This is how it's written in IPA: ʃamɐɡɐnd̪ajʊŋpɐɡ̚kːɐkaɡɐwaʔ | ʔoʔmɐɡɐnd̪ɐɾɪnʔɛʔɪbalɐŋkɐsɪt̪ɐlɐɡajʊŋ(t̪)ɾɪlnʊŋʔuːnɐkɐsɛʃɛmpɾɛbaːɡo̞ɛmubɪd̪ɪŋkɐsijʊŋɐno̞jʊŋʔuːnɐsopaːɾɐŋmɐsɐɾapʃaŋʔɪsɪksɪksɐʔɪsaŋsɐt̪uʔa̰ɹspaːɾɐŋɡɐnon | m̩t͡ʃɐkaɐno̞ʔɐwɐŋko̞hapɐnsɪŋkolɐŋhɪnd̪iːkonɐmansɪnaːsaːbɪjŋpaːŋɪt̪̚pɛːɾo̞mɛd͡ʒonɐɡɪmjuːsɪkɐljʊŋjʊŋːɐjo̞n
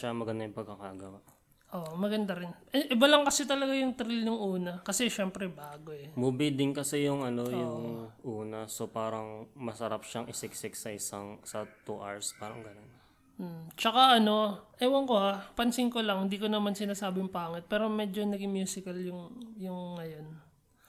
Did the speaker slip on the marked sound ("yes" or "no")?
no